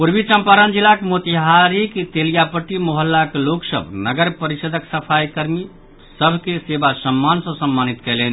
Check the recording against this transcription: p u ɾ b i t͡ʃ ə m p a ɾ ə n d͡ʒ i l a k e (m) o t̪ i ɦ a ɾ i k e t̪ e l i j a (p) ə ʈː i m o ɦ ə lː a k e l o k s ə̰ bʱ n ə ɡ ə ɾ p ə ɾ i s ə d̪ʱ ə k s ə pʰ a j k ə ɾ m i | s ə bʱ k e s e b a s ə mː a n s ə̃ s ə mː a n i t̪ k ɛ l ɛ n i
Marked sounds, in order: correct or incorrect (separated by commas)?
correct, correct